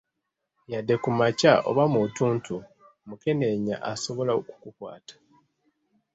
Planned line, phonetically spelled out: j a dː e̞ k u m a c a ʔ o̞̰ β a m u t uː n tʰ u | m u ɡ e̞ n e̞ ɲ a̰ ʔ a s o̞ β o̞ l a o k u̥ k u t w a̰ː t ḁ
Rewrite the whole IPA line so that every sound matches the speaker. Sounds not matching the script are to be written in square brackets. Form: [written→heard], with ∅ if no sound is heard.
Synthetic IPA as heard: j a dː e̞ k u m a c a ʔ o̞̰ β a m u t uː n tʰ u | m u [ɡ→k] e̞ n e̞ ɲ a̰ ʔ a s o̞ β o̞ l a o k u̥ k u [t→k] w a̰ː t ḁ